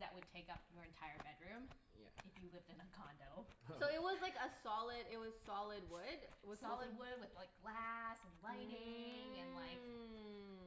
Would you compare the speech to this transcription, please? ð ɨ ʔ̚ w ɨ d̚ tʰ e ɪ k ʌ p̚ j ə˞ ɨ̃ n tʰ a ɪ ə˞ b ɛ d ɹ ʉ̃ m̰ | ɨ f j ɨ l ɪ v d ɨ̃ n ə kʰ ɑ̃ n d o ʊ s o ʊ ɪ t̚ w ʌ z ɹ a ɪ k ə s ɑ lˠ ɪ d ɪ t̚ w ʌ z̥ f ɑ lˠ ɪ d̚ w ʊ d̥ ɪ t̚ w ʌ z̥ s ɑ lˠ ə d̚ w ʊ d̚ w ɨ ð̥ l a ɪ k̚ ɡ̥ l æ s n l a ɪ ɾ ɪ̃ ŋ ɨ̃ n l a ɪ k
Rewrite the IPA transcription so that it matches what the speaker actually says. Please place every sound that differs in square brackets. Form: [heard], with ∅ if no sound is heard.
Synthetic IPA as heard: ð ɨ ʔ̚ w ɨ d̚ tʰ e ɪ k ʌ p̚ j ə˞ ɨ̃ n tʰ a ɪ ə˞ b ɛ d ɹ ʉ̃ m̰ | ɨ f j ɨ l ɪ v d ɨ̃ n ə kʰ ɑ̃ n d o ʊ s o ʊ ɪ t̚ w ʌ z [l] a ɪ k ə s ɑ lˠ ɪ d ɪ t̚ w ʌ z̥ [s] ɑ lˠ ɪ d̚ w ʊ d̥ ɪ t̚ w ʌ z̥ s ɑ lˠ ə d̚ w ʊ d̚ w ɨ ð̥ l a ɪ k̚ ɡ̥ l æ s n l a ɪ ɾ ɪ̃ ŋ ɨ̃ n l a ɪ k